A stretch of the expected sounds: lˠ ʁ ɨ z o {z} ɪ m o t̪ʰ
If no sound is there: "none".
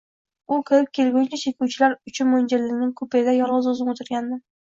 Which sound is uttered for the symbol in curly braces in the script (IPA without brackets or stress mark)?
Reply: z